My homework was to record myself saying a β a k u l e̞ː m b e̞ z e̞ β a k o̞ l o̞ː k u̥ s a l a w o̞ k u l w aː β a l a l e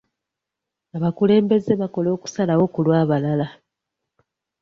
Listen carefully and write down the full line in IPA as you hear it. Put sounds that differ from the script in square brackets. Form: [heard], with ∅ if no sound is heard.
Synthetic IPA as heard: a β a k u l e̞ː m b e̞ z e̞ β a k o̞ l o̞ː k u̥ s a l a w o̞ k u l w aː β a l a l [a]